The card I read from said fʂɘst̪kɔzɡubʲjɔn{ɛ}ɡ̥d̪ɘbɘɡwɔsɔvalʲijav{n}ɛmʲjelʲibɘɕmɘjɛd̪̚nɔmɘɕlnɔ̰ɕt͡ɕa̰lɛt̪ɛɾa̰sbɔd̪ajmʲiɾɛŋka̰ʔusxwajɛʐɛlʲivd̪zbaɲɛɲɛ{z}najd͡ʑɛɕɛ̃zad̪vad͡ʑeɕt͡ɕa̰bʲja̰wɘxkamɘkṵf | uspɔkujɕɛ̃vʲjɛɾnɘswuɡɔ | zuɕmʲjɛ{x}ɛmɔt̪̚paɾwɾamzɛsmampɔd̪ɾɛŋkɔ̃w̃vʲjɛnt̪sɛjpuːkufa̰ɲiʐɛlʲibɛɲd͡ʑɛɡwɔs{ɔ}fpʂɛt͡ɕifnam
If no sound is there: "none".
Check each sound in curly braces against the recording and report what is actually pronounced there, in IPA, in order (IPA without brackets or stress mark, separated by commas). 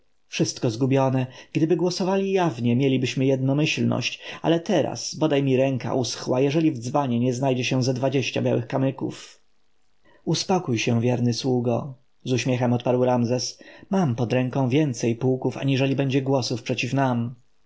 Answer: ɛ, ɲ, z, x, u